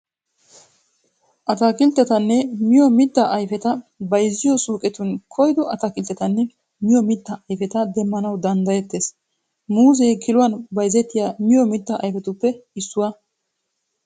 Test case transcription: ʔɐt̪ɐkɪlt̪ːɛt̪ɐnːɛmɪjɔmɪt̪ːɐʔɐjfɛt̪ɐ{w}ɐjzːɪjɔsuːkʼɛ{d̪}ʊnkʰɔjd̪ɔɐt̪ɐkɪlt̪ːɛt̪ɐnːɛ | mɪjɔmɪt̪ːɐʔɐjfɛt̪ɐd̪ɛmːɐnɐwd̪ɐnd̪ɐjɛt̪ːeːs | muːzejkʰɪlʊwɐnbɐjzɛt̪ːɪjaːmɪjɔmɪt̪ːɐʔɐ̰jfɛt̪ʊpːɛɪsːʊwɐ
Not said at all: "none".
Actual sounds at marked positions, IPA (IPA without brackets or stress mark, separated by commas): b, t̪